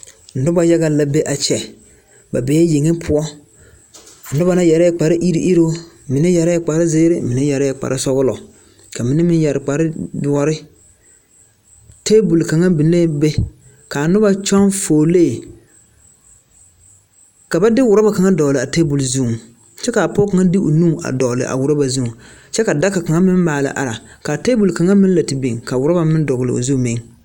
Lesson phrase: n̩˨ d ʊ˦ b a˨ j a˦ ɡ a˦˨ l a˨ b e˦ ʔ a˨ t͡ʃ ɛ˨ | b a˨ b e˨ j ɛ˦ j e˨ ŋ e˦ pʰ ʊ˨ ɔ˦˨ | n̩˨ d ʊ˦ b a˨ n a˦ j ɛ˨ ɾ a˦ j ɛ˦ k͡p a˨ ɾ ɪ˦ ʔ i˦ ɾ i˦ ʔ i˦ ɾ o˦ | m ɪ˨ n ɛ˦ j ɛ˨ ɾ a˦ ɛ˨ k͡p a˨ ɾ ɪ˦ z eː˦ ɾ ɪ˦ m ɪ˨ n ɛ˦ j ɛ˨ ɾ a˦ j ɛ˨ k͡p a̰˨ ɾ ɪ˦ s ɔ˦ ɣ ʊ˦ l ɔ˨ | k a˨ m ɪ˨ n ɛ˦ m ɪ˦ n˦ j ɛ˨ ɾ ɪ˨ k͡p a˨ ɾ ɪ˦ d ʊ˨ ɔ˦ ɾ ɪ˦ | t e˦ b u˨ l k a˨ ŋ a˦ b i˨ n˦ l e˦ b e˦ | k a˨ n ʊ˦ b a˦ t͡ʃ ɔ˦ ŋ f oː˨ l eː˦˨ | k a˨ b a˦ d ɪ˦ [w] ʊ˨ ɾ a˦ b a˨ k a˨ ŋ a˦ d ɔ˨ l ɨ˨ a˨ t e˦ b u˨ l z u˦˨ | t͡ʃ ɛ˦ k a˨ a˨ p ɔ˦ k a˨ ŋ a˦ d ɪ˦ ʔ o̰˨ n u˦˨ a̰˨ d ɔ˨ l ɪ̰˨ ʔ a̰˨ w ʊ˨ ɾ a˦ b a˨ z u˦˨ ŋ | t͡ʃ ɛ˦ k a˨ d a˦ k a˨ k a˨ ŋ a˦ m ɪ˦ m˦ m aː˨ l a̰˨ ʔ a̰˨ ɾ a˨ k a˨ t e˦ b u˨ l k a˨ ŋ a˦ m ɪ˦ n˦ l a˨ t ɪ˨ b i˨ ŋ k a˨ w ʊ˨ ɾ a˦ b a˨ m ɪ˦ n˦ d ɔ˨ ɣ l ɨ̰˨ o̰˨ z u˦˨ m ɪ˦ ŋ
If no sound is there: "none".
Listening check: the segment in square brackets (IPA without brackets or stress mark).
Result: w